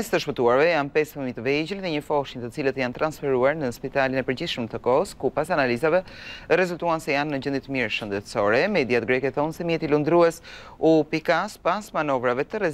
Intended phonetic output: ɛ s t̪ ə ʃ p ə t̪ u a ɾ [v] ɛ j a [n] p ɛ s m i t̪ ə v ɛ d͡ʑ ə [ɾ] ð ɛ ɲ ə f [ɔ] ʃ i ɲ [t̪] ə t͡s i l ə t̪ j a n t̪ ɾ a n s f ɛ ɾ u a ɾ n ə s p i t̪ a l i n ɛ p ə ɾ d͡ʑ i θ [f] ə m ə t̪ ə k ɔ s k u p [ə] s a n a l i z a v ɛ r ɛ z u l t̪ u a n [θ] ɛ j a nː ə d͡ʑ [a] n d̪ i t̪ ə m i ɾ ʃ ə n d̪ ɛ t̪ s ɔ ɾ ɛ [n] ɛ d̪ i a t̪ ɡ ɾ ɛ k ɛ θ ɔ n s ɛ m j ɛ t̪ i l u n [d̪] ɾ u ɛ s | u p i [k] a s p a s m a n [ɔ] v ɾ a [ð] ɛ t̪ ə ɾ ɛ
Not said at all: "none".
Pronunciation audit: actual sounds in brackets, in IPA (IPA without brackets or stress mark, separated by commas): v, n, l, ɔ, t̪, ʃ, a, s, ə, m, d̪, k, ɔ, v